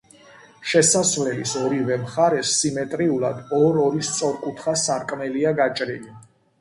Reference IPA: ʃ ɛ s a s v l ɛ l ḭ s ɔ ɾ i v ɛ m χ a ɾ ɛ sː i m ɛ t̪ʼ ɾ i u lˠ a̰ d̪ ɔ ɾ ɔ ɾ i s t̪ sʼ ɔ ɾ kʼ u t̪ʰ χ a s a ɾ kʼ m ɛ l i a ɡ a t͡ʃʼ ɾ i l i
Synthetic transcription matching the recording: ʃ ɛ s a s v l ɛ l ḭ s ɔ ɾ i v ɛ m χ a ɾ ɛ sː i m ɛ t̪ʼ ɾ i u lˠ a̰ d̪ ɔ ɾ ɔ ɾ i s t̪ sʼ ɔ ɾ kʼ u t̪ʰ χ a s a ɾ kʼ m ɛ l i a ɡ a t͡ʃʼ ɾ i l i